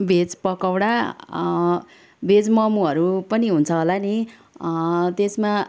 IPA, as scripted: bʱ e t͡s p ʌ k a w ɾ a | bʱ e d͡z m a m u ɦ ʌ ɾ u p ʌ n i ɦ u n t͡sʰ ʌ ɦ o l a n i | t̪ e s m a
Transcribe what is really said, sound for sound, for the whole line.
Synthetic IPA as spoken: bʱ e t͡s p ʌ k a w ɽ a | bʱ e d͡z m ʌ m u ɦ ʌ ɾ u p ʌ n i ɦ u n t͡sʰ ʌ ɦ o l a n i | t̪ e s m a